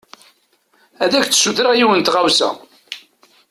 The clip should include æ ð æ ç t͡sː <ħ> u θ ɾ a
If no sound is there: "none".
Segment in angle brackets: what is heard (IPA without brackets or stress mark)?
s